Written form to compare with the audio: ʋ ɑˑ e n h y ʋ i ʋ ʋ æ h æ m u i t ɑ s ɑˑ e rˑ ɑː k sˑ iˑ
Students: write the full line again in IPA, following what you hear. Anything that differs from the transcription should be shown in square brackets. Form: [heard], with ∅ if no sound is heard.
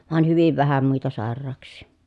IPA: ʋ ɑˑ e n h y ʋ i ʋ ʋ æ h æ m u i t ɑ s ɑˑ e rˑ ɑː k sˑ iˑ